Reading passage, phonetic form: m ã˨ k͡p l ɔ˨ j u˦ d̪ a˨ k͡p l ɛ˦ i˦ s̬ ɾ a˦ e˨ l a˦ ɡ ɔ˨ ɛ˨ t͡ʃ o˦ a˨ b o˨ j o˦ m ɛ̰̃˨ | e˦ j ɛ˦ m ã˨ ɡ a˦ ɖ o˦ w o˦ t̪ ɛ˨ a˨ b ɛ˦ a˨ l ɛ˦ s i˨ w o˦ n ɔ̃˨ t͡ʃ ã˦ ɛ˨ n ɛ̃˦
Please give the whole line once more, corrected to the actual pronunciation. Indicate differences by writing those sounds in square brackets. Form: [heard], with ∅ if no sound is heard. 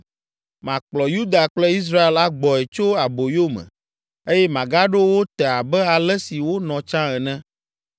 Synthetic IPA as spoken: m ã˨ k͡p l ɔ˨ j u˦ d̪ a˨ k͡p l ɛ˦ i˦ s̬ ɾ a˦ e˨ l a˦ [ɡ͡b] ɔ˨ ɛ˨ t͡ʃ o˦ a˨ b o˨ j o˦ m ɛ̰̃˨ | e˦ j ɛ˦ m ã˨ ɡ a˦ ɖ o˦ w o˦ t̪ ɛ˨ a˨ b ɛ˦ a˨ l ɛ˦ s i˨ w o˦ n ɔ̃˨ t͡ʃ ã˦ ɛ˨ n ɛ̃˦